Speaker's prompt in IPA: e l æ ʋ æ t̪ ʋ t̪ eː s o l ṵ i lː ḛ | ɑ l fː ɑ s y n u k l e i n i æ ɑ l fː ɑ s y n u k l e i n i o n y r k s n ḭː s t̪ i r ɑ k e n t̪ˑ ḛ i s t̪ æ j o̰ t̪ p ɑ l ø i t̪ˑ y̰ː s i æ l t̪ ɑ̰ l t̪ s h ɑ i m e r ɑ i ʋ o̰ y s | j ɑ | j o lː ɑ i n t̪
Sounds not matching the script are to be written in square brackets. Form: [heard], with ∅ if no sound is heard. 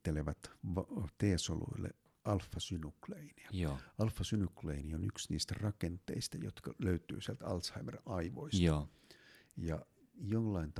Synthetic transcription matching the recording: e l [e] ʋ æ t̪ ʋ t̪ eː s o l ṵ i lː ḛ | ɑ l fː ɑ s y n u k l e i n i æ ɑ l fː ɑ s y n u k l e i n i o n y [∅] k s n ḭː s t̪ [æ] r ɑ k e n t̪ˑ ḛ i s t̪ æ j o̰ t̪ [k] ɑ l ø [y] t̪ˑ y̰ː s i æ l t̪ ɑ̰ l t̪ s h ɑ i m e r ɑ i ʋ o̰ [i] s | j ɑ | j o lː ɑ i n t̪